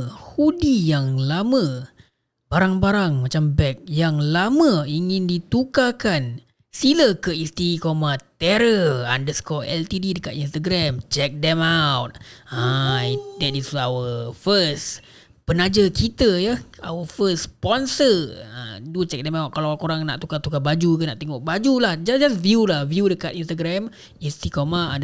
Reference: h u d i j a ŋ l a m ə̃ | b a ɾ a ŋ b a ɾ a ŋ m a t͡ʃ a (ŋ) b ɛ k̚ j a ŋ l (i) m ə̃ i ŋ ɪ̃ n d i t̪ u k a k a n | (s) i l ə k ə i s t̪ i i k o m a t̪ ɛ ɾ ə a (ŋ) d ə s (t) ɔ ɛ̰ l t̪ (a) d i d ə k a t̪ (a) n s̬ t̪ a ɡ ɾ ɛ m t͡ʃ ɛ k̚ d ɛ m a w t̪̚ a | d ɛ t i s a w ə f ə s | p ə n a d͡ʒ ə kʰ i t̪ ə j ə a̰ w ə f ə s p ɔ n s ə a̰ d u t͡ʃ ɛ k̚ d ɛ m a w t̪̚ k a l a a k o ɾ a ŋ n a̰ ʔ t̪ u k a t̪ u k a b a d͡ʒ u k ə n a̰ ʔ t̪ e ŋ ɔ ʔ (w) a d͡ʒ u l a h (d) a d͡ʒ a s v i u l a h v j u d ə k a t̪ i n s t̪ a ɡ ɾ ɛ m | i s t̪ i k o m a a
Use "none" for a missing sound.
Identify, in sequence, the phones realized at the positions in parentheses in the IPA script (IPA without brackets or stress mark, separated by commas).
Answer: m, a, s, n, k, i, i, b, d͡ʒ